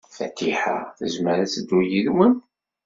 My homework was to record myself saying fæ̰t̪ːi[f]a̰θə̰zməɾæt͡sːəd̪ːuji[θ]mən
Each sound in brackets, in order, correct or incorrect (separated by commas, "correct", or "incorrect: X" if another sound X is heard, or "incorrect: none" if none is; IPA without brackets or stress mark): incorrect: ħ, incorrect: ð